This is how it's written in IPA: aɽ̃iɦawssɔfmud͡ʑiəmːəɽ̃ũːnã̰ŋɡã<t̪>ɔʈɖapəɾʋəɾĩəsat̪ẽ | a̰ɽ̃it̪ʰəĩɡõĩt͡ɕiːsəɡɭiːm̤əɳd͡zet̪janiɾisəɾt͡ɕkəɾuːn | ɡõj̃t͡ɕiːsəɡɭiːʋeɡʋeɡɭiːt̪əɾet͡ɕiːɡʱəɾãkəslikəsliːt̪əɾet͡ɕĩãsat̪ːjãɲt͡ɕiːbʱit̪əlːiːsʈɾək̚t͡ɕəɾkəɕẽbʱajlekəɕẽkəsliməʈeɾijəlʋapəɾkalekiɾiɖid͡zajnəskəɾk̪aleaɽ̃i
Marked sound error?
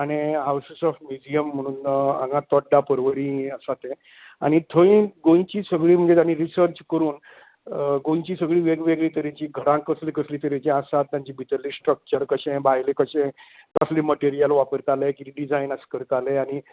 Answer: no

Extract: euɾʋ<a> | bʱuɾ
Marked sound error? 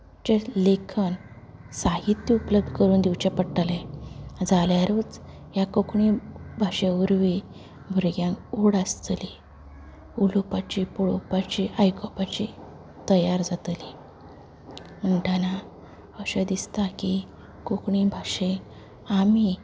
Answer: yes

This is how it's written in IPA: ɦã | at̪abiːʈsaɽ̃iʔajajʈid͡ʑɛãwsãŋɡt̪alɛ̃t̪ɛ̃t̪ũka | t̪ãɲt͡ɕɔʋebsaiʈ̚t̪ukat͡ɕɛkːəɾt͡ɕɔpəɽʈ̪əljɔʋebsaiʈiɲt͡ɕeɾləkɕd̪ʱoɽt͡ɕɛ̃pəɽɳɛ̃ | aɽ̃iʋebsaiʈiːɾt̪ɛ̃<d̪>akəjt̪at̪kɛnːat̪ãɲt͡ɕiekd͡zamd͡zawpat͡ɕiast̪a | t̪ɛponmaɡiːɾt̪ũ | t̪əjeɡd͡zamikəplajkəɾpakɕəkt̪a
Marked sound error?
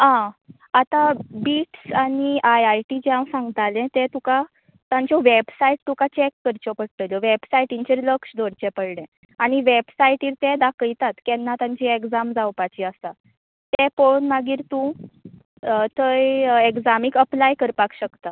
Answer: no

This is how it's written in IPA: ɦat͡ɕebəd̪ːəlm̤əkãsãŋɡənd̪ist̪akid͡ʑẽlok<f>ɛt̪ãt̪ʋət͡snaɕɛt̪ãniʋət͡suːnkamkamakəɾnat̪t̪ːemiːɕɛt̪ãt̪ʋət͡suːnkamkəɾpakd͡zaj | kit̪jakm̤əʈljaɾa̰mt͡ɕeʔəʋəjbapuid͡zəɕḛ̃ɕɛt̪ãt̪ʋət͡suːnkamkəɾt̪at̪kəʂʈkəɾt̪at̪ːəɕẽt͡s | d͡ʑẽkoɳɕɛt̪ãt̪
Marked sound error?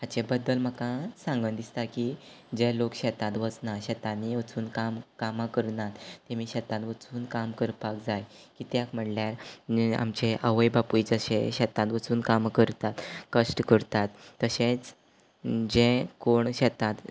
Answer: yes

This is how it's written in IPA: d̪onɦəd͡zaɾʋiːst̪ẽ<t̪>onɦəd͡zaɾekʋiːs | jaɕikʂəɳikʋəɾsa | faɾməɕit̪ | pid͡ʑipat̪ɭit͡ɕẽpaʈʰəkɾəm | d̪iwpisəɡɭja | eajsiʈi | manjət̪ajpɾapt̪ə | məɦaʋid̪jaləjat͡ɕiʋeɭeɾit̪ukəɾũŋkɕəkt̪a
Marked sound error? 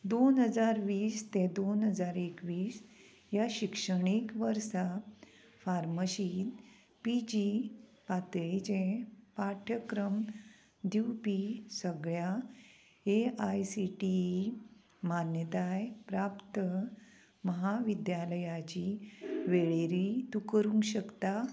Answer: yes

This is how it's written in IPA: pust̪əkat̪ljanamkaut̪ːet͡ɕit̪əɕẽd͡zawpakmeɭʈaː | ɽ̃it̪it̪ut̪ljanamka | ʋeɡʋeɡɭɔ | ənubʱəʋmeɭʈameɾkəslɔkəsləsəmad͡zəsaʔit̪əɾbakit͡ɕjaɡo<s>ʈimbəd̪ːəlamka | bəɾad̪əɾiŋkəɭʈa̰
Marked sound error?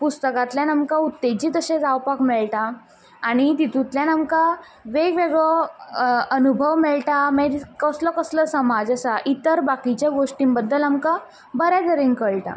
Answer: yes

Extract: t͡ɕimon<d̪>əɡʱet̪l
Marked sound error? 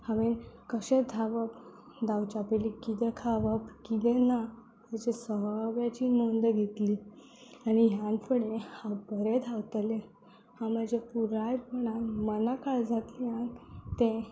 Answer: no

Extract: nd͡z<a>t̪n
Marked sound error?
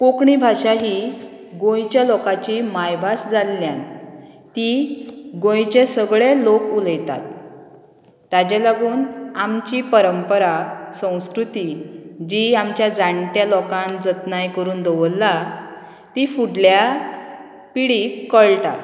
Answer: yes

